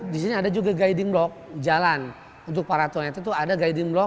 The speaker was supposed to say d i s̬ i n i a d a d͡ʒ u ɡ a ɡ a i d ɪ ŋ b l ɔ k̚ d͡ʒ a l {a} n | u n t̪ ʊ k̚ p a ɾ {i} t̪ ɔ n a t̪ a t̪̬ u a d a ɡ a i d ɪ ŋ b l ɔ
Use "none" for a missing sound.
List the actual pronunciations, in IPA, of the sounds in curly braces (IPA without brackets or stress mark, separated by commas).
a, a